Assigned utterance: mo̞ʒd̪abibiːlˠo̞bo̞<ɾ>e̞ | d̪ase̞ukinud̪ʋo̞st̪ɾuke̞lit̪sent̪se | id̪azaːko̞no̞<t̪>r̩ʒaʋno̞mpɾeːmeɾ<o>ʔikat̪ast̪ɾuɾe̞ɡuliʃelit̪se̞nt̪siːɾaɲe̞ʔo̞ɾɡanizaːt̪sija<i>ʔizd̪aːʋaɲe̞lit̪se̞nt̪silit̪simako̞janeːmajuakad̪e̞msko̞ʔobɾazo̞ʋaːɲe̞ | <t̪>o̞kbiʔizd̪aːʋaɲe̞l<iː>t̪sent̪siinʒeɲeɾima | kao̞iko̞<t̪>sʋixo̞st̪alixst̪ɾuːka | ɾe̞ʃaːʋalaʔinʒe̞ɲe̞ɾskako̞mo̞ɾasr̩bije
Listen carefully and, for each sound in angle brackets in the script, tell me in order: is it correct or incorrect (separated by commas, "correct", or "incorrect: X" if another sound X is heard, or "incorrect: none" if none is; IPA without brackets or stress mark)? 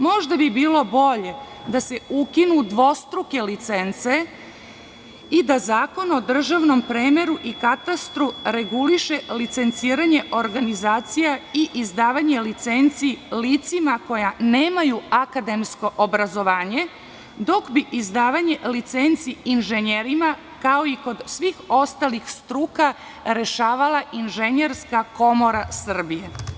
incorrect: ʎ, incorrect: d̪, incorrect: u, correct, incorrect: d̪, incorrect: i, incorrect: d̪